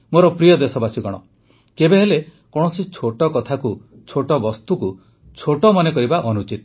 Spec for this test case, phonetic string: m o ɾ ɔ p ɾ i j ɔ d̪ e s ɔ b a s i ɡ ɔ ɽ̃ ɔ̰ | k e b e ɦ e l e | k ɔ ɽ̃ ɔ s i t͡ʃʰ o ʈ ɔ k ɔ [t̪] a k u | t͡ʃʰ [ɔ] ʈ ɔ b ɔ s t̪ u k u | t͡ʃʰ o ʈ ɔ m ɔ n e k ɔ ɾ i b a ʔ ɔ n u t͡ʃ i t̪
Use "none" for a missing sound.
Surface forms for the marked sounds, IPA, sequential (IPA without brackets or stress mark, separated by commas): t̪ʰ, o